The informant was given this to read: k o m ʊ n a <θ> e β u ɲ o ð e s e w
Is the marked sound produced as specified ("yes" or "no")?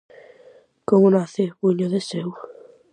yes